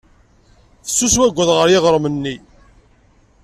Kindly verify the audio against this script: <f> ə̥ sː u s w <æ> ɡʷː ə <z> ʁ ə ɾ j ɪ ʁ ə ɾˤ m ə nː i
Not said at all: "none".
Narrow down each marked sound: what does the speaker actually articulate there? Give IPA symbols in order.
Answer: θ, æ, ð

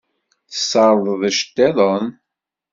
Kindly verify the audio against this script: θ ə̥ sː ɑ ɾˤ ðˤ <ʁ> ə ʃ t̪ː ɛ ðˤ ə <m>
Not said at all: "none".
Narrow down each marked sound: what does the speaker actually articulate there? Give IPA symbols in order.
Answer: ð, n

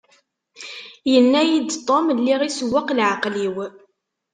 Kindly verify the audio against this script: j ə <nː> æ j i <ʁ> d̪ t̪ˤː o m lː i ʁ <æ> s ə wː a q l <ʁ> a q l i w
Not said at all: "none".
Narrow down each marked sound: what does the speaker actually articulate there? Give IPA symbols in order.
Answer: nː, none, i, ʕ

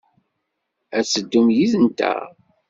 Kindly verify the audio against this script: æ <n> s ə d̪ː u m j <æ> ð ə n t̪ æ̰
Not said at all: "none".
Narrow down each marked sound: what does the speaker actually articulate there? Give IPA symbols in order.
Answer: none, i

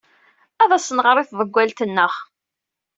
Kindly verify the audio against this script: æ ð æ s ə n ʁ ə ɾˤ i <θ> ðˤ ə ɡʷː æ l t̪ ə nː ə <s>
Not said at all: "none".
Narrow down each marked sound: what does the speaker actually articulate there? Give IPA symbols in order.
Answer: θ, χ

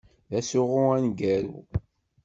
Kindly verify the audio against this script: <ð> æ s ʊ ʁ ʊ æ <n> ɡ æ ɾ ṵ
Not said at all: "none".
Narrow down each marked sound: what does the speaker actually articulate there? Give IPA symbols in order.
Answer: ð, n

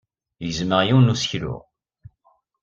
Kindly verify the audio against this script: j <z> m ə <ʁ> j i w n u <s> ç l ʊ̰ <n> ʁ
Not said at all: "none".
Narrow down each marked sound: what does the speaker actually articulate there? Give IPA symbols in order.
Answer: z, ʁ, s, none

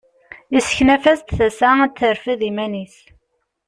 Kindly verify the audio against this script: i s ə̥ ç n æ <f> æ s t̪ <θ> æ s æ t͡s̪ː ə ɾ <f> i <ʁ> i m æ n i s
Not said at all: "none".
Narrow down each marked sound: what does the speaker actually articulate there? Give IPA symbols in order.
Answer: f, θ, f, ð

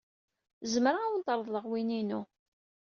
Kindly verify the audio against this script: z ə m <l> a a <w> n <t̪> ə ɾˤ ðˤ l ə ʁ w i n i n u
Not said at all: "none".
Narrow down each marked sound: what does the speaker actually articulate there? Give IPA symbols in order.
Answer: ɾ, w, t̪

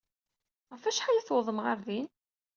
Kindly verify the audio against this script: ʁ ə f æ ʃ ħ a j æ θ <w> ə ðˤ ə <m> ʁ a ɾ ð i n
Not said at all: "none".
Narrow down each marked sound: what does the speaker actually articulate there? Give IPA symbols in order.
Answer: w, m

